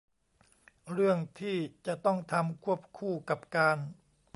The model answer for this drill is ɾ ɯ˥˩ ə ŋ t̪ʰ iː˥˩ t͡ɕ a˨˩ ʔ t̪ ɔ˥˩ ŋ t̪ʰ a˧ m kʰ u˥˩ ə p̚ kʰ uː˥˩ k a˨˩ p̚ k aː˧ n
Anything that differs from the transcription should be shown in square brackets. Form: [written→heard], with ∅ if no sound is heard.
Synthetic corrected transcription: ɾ ɯ˥˩ ə ŋ t̪ʰ iː˥˩ t͡ɕ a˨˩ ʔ t̪ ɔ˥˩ ŋ t̪ʰ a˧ m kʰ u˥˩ ə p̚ kʰ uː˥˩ k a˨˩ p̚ k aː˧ n